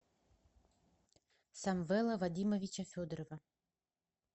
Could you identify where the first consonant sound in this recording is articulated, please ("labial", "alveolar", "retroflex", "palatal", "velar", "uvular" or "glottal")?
alveolar